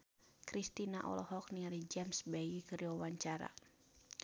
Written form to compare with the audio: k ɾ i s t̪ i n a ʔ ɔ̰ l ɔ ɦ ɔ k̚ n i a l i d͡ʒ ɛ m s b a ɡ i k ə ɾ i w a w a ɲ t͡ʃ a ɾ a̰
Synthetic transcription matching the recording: k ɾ i s t̪ i n a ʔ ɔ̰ l ɔ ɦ ɔ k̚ n i a ɾ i d͡ʒ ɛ m s b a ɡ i k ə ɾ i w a w a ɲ t͡ʃ a ɾ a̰